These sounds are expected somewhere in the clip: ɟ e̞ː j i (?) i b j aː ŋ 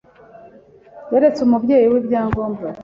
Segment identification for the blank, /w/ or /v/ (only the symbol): w